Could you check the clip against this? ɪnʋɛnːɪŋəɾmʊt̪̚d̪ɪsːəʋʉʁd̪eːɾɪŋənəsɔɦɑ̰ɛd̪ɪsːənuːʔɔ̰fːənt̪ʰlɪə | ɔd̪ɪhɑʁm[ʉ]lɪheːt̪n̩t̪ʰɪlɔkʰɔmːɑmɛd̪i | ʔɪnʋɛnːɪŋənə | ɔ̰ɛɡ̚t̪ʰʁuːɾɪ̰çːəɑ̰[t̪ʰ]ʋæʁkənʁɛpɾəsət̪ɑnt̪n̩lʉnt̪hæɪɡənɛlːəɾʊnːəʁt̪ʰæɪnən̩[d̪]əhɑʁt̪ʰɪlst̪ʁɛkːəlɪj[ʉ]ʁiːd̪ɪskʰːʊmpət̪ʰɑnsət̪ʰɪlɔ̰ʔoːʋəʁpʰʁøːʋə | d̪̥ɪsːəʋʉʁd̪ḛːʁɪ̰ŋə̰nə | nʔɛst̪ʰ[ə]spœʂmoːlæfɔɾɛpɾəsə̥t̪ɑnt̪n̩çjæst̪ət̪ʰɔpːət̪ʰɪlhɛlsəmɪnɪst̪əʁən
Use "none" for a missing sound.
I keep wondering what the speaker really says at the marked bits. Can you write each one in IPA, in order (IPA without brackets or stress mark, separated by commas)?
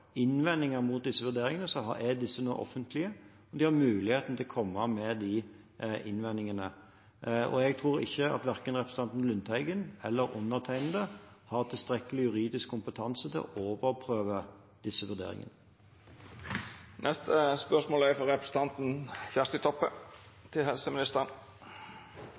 ʉː, t̪, d̪, ʉ, ə